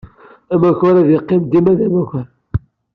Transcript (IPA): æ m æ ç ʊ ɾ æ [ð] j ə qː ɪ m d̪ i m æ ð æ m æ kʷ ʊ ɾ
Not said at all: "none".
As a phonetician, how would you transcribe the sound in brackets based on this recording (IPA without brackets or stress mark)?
ð